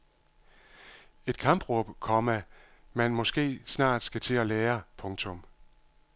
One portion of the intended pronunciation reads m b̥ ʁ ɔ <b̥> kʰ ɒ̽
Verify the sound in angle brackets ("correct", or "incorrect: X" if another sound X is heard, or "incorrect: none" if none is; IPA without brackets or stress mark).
correct